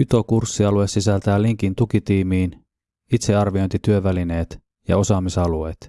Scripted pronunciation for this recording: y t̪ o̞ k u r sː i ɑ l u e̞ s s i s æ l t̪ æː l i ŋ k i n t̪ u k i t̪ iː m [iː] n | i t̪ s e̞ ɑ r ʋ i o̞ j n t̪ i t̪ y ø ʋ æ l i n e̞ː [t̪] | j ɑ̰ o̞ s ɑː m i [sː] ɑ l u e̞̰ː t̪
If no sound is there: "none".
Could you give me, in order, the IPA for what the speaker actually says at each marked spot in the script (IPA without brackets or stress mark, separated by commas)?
iː, t̪, s